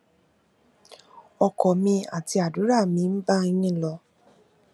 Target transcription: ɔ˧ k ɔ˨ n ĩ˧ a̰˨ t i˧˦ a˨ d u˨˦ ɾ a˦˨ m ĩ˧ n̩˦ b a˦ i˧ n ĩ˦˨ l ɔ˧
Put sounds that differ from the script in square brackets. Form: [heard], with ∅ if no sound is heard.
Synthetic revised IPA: ɔ˧ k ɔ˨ [m] ĩ˧ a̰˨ t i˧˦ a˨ d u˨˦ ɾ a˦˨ m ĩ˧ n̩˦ b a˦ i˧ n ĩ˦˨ l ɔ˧